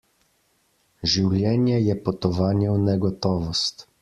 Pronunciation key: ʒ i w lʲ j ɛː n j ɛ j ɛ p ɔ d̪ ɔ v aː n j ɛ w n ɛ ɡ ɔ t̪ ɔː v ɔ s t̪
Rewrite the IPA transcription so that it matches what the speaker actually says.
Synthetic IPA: ʒ i w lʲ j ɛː n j ɛ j ɛ p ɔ t̪ ɔ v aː n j ɛ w n ɛ ɡ ɔ t̪ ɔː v ɔ s t̪